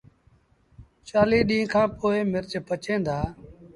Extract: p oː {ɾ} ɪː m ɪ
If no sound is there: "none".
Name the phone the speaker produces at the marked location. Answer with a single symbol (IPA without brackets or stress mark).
none